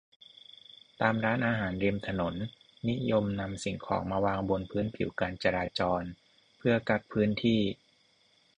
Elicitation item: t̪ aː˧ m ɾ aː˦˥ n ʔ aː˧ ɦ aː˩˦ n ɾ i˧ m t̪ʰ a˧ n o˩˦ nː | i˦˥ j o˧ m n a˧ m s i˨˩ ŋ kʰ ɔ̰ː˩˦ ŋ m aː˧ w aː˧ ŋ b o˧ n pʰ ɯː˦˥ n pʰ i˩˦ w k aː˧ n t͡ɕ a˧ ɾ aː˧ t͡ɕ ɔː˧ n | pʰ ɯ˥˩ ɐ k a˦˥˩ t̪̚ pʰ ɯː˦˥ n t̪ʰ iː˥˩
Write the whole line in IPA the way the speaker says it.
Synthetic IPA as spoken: t̪ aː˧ m ɾ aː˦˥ n ʔ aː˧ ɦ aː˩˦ n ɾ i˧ m t̪ʰ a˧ n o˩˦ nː | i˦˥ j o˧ m n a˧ m s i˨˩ ŋ kʰ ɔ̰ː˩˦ ŋ m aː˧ w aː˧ ŋ b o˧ n pʰ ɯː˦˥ n pʰ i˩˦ w k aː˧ n t͡ɕ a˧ ɾ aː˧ t͡ɕ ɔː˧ n | pʰ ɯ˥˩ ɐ k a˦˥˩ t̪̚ pʰ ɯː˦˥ n t̪ʰ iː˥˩